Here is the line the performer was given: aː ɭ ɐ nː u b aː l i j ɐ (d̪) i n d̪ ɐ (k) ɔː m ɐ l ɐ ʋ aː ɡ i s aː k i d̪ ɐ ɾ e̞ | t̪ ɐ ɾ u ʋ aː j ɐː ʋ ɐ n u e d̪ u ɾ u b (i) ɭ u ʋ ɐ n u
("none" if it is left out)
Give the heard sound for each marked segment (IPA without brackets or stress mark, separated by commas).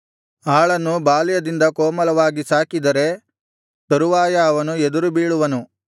d̪, k, iː